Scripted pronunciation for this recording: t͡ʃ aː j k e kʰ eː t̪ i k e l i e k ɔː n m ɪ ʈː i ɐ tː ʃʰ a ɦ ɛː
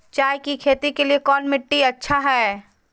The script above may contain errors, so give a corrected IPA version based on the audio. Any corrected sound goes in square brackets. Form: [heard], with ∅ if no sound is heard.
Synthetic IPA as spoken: t͡ʃ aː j k [i] kʰ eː t̪ i k e l i e k ɔː n m ɪ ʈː i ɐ tː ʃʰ a ɦ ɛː